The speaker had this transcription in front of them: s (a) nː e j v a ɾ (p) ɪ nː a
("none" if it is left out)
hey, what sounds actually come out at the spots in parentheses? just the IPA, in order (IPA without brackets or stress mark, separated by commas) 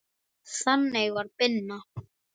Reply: a, p